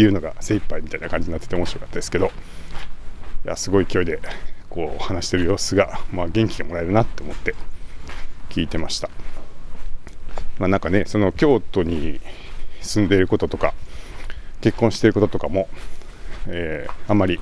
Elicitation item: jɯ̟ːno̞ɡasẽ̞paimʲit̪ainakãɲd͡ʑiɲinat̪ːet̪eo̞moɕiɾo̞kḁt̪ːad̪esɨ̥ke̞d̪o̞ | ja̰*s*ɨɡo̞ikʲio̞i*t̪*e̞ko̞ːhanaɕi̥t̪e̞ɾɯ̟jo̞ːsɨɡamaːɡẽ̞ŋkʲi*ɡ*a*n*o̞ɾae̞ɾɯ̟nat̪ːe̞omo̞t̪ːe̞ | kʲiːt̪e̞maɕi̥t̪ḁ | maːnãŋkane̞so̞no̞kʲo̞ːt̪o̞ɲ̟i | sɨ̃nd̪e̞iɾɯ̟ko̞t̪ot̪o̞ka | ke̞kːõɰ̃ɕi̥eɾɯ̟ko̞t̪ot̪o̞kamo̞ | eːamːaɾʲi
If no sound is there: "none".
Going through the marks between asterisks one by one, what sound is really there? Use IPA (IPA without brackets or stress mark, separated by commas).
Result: s, d̪, ɡ, m